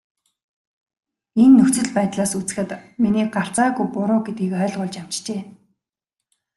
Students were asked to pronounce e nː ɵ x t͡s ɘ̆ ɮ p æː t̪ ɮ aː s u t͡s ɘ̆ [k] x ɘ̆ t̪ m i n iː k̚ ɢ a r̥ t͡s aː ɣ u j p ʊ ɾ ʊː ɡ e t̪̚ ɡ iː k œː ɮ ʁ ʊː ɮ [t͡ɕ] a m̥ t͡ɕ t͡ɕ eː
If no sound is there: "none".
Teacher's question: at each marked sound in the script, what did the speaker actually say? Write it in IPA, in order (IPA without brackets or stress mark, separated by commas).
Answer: none, t͡ɕ